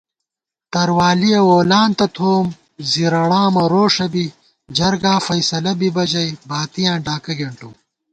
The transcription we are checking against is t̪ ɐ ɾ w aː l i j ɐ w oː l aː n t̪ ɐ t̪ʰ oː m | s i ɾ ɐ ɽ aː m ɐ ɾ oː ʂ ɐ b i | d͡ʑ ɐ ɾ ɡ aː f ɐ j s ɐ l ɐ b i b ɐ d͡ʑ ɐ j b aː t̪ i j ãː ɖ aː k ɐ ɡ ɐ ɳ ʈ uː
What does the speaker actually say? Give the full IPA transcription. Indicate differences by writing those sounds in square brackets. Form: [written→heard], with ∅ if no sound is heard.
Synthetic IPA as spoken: t̪ ɐ ɾ w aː l i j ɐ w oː l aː n t̪ ɐ t̪ʰ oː m | [s→z] i ɾ ɐ ɽ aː m ɐ ɾ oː ʂ ɐ b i | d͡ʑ ɐ ɾ ɡ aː f ɐ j s ɐ l ɐ b i b ɐ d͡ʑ ɐ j b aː t̪ i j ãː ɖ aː k ɐ ɡ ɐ ɳ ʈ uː